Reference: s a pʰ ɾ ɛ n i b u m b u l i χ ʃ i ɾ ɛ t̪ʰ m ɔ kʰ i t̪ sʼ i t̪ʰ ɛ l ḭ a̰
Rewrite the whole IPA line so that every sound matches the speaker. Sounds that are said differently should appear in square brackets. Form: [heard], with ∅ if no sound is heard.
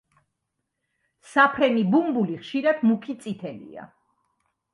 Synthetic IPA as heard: s a pʰ ɾ ɛ n i b u m b u l i χ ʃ i ɾ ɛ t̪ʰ m [u] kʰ i t̪ sʼ i t̪ʰ ɛ l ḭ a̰